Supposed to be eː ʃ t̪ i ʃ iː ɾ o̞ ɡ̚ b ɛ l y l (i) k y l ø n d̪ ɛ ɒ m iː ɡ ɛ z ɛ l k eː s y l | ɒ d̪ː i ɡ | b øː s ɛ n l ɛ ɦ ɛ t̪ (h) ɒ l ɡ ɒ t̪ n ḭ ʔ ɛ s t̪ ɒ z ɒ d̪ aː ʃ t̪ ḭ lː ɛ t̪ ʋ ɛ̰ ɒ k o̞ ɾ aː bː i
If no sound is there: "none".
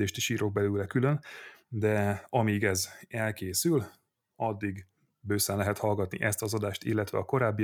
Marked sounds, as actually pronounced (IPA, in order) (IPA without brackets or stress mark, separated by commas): ɛ, h